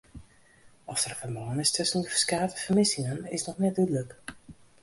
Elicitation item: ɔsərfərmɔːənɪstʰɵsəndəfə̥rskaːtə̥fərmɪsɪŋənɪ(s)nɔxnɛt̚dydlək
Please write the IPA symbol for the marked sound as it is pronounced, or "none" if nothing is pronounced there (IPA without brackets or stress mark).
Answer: s